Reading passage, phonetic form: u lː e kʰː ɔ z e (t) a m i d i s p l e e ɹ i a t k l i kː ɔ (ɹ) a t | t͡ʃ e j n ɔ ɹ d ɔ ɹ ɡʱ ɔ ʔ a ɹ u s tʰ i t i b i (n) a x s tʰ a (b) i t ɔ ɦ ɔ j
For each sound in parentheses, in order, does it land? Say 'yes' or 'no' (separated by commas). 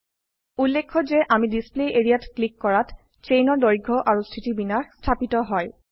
no, yes, yes, no